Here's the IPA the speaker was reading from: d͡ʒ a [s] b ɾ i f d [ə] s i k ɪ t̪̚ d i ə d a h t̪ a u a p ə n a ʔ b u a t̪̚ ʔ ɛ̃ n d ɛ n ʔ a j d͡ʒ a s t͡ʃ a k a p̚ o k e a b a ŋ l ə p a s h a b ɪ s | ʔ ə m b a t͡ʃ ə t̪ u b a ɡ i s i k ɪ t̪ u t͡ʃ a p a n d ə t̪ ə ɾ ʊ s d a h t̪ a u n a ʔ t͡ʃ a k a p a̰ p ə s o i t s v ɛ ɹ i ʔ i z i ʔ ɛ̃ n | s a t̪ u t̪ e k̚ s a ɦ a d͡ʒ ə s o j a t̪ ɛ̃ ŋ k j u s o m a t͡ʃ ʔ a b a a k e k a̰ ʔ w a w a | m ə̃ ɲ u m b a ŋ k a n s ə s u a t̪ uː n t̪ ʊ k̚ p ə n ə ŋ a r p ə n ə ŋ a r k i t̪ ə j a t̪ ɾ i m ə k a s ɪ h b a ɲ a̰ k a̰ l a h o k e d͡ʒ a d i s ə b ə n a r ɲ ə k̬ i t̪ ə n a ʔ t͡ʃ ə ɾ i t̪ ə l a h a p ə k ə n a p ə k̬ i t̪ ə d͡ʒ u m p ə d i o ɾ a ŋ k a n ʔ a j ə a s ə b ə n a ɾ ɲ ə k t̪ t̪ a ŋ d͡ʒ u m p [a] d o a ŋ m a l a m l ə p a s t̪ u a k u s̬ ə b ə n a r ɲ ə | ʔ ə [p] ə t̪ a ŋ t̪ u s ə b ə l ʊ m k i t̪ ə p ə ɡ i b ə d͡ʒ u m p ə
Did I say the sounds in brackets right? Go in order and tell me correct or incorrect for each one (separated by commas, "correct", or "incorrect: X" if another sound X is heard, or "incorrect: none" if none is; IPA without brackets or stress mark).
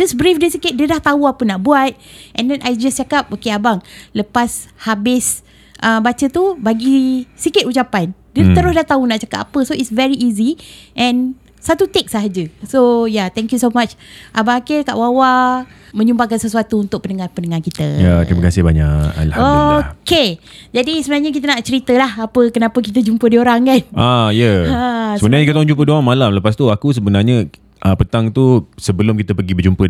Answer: correct, correct, incorrect: ə, correct